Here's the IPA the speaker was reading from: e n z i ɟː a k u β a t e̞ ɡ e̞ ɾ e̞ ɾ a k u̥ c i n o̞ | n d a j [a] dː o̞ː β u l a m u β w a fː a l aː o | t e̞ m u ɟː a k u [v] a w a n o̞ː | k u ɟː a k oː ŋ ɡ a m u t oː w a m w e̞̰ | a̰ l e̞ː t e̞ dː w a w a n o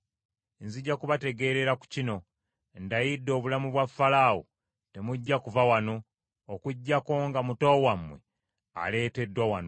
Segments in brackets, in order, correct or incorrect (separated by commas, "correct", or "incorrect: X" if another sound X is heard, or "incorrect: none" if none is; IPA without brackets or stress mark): incorrect: i, correct